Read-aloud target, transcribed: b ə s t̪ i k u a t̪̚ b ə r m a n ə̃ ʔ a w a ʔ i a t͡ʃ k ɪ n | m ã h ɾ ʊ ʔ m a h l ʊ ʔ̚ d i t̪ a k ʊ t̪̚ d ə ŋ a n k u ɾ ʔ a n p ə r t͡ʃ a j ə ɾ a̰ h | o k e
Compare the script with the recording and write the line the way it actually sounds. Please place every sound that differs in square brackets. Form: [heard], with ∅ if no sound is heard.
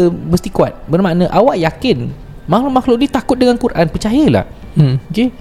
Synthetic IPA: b ə s t̪ i k u a t̪̚ b ə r m a n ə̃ ʔ a w a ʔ [j] a [∅] k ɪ n | m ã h [l] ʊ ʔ m a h l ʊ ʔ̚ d i t̪ a k ʊ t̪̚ d ə ŋ a n k u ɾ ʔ a n p ə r t͡ʃ a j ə [l] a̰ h | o k e